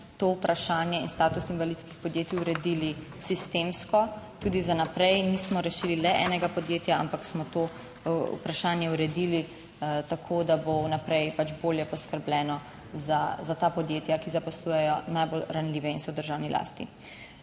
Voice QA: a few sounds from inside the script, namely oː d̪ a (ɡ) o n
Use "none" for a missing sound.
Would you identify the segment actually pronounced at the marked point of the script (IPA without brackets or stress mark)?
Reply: b